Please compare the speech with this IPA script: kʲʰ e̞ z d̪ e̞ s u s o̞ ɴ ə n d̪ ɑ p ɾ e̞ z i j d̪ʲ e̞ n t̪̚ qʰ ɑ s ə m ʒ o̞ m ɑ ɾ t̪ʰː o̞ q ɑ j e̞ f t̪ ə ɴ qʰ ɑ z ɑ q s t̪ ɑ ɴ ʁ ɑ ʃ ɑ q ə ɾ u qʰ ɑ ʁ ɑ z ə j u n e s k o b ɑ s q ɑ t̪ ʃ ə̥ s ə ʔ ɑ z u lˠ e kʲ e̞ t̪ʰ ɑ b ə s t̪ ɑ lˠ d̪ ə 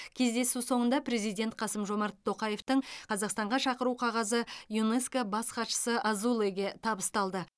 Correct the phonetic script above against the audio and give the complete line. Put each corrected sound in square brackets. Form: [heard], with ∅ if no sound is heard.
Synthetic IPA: kʲʰ e̞ z d̪ e̞ s u s o̞ ɴ ə n d̪ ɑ p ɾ e̞ z i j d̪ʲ e̞ n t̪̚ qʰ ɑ s ə m ʒ o̞ m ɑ ɾ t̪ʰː o̞ q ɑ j e̞ f t̪ ə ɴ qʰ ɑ z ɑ q s t̪ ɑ ɴ ʁ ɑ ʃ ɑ q ə ɾ u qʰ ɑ ʁ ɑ z ə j u n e s k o b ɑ s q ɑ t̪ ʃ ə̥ s ə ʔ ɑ z u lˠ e [ɡʲ] e̞ t̪ʰ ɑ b ə s t̪ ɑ lˠ d̪ ə